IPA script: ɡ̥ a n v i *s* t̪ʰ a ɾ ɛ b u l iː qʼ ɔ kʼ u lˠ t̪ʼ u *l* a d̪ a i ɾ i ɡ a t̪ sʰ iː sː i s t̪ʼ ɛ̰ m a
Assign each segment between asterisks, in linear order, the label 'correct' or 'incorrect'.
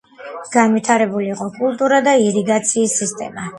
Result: incorrect, incorrect

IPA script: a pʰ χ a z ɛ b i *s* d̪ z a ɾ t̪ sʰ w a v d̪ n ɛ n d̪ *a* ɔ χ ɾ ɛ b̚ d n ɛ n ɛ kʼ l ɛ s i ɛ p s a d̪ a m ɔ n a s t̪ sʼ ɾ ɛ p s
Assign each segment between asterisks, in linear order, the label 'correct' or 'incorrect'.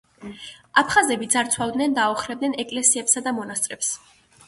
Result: incorrect, correct

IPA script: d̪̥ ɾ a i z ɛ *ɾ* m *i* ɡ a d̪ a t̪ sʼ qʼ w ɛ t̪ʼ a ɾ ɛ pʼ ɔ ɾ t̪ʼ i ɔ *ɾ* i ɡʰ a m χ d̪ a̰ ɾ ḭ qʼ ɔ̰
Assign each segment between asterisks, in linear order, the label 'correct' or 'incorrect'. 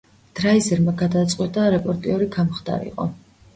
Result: correct, incorrect, correct

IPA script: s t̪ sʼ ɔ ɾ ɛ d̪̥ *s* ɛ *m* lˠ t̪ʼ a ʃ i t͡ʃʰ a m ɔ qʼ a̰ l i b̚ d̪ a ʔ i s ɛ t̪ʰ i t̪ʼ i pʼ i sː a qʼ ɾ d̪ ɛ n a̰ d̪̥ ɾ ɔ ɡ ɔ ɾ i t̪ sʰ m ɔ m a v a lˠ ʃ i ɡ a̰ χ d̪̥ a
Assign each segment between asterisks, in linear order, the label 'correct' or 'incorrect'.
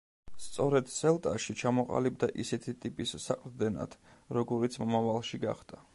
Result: correct, incorrect

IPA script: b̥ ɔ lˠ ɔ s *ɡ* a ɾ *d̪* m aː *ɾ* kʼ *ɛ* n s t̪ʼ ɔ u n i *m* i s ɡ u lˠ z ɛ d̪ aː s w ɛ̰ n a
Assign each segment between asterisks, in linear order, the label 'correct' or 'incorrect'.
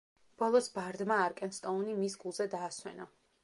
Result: incorrect, correct, correct, correct, correct

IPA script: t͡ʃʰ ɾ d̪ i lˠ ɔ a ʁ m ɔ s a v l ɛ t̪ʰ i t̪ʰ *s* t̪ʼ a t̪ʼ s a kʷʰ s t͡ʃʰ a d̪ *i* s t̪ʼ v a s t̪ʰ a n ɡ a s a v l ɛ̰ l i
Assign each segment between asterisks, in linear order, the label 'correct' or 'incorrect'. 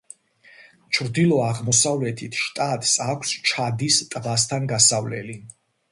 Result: incorrect, correct

